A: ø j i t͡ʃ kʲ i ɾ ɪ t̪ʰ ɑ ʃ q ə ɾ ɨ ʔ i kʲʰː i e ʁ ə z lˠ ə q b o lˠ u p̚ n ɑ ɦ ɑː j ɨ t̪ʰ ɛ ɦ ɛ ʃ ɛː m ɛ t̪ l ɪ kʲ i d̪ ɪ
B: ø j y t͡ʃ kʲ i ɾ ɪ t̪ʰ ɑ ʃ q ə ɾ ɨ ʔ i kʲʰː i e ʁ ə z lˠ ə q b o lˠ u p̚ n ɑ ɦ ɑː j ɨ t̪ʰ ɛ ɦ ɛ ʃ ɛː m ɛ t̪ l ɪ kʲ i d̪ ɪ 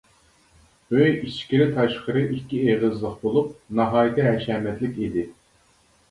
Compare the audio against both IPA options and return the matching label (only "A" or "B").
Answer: A